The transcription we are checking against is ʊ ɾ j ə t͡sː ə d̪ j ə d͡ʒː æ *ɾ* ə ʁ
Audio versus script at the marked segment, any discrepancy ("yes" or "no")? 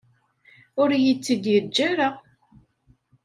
no